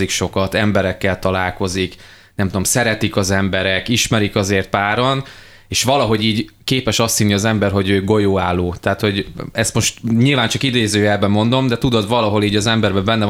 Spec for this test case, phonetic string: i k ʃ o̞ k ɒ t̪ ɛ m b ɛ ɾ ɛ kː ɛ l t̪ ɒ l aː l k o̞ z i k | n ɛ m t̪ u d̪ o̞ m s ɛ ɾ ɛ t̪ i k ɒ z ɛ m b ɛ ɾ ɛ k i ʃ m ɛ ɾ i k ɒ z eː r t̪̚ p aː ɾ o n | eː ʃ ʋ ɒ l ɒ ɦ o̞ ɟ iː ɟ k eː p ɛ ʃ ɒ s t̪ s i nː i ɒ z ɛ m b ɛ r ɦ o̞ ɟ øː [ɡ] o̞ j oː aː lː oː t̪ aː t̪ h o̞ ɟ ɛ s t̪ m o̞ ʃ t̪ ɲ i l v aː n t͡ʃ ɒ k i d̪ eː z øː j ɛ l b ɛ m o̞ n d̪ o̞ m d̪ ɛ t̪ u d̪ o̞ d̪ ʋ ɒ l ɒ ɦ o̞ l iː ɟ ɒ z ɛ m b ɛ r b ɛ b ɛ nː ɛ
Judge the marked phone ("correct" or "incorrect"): correct